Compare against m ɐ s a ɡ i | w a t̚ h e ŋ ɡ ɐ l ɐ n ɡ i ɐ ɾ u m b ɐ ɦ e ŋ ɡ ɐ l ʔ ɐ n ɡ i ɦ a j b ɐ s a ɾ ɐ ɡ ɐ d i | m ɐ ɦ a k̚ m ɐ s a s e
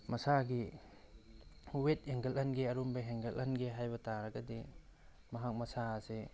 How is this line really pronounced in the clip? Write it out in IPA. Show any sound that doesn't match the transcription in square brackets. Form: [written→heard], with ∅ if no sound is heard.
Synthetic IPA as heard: m ɐ s a ɡ i | w [a→e] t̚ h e ŋ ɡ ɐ l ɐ n ɡ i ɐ ɾ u m b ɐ ɦ e ŋ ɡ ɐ l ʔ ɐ n ɡ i ɦ a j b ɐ [s→t] a ɾ ɐ ɡ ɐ d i | m ɐ ɦ a k̚ m ɐ s a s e